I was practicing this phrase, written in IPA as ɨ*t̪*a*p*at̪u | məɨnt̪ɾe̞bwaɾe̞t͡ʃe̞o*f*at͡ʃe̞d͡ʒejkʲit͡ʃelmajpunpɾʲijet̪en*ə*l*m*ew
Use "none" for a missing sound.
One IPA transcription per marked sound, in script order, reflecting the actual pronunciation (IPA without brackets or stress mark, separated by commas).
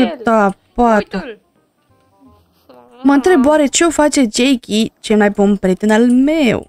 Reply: t̪, p, f, a, m